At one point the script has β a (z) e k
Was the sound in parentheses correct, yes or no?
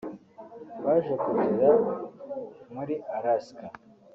no